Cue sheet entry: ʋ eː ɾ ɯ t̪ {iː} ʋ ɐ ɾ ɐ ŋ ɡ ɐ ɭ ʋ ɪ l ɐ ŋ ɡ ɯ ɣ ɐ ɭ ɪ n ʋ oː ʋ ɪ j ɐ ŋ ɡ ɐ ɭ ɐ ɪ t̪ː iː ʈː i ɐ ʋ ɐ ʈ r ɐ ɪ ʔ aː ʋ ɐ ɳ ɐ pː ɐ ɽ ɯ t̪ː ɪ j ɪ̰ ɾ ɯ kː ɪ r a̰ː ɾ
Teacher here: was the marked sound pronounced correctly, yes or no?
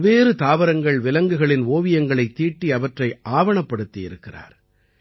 no